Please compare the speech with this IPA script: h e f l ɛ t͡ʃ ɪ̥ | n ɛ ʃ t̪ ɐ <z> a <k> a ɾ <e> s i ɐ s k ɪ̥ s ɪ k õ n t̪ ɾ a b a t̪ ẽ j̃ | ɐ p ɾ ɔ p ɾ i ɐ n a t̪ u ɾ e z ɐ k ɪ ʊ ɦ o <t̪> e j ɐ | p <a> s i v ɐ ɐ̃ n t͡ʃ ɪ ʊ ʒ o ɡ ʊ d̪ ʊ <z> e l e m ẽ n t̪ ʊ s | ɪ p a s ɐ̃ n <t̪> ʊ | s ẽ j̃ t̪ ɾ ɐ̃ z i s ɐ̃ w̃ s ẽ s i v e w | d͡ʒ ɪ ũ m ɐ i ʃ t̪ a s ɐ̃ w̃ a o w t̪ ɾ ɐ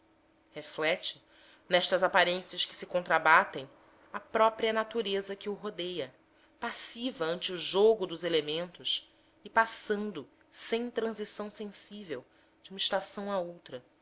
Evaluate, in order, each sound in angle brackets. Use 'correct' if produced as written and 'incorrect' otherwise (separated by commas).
correct, incorrect, incorrect, incorrect, correct, correct, incorrect